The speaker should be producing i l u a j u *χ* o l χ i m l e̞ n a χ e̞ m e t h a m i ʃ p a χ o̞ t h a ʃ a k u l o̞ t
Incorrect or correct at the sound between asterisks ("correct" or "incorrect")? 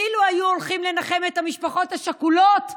incorrect